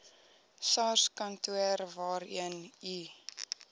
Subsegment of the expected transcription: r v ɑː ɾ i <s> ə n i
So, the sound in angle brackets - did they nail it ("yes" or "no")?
no